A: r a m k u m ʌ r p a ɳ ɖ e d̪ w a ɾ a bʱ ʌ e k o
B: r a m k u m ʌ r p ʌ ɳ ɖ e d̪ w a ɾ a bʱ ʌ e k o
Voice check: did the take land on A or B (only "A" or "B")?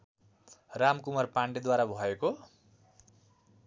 A